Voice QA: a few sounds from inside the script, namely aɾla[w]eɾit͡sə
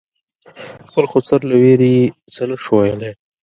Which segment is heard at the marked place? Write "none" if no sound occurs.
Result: w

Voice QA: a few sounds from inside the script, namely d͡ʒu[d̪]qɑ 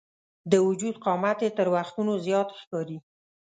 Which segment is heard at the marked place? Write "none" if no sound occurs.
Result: d̪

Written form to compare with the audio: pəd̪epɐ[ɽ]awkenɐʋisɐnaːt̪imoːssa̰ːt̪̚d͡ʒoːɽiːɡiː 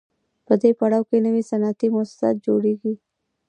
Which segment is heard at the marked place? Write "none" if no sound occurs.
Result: ɽ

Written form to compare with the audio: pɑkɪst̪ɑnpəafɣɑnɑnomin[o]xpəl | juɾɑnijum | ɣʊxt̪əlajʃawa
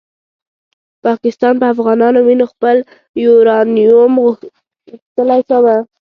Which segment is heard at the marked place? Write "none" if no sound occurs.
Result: o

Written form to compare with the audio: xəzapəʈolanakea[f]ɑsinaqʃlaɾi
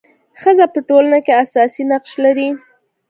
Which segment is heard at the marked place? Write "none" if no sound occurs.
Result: s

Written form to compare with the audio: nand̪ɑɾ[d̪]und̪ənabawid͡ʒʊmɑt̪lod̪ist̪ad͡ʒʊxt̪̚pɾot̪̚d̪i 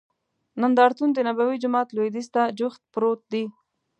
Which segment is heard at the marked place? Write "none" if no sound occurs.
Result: t̪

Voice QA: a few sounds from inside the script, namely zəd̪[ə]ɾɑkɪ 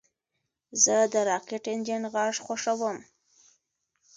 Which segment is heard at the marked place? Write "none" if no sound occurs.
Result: ə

